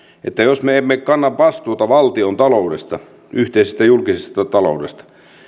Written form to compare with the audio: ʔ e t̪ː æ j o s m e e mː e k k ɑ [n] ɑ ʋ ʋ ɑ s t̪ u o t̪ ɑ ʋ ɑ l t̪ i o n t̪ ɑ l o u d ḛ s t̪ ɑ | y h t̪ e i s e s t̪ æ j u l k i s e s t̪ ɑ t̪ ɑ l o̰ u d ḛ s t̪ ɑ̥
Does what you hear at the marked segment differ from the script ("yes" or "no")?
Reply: yes